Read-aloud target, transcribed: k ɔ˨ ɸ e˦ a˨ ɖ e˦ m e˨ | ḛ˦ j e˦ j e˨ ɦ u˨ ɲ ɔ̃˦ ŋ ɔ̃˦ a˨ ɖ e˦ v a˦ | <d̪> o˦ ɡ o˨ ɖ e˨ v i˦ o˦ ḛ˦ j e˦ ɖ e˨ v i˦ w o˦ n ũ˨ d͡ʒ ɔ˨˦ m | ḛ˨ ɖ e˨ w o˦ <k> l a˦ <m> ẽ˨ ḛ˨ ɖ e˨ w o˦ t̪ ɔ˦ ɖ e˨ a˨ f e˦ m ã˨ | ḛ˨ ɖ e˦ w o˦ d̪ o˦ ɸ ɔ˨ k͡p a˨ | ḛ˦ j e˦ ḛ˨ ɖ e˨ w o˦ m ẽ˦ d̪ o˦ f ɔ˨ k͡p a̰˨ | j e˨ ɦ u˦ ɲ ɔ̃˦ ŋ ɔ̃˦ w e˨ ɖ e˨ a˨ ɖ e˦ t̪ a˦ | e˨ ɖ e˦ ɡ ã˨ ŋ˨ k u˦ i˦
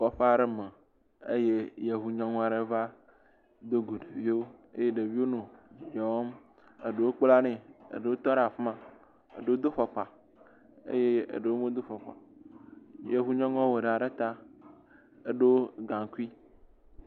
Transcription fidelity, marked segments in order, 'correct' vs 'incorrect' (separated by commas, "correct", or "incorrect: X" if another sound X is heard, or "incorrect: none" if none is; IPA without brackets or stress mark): correct, incorrect: k͡p, incorrect: n